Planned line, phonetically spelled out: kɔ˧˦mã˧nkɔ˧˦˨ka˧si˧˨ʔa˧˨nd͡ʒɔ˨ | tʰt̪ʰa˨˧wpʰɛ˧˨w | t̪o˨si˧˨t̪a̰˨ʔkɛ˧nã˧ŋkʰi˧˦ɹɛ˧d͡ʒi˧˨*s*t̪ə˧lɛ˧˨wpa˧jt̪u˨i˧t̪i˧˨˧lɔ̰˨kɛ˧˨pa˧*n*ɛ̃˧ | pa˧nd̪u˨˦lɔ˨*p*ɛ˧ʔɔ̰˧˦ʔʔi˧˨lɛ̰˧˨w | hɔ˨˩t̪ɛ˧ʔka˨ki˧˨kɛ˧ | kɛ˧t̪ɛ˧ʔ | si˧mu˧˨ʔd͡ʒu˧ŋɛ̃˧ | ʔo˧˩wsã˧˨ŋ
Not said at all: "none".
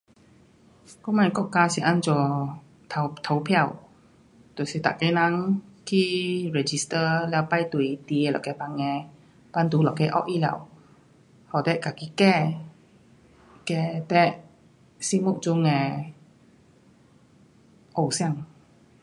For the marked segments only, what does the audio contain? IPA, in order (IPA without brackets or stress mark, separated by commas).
s, ŋ, k